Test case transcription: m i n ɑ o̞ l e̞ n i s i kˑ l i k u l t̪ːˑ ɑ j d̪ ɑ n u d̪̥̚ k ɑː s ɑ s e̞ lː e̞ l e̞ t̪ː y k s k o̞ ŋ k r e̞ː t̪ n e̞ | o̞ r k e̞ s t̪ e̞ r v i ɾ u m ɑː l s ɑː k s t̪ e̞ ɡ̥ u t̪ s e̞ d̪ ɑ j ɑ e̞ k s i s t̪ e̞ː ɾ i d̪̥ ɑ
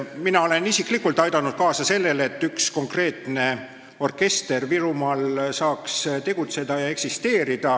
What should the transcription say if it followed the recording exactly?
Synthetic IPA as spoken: m i n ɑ o̞ l e̞ n i s i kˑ l i k u l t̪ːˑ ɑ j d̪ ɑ n u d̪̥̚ k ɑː s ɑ s e̞ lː e̞ l e̞ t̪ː y k s k o̞ ŋ k r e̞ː t̪ n e̞ | o̞ r k e̞ s t̪ e̞ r v i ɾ u m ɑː l s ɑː k s t̪ e̞ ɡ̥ u t̪ s e̞ d̪ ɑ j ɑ e̞ k s i s t̪ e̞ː ɾ i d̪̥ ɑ